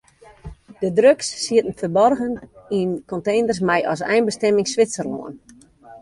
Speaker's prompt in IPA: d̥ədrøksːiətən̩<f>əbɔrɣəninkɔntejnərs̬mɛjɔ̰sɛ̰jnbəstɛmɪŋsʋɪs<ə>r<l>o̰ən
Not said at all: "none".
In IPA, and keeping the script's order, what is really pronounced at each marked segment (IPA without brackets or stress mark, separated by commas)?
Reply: f, ə, l